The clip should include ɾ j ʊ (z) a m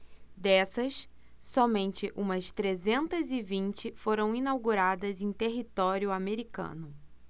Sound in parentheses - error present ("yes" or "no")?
yes